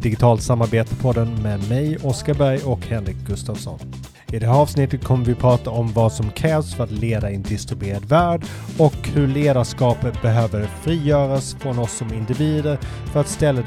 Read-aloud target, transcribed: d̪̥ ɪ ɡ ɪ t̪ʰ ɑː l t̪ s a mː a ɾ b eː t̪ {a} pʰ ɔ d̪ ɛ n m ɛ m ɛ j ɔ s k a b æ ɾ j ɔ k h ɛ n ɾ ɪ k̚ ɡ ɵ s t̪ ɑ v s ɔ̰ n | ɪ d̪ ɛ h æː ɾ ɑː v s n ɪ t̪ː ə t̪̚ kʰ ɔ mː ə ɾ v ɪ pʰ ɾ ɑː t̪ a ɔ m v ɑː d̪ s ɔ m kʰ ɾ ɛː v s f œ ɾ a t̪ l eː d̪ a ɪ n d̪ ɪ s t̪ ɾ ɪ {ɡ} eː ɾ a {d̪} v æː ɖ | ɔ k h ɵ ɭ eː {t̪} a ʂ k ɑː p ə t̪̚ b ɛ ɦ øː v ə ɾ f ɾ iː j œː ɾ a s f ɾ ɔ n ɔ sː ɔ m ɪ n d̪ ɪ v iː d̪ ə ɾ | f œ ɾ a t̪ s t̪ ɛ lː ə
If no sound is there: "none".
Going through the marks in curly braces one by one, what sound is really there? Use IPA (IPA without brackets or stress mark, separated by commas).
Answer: ə, b, d̪, d̪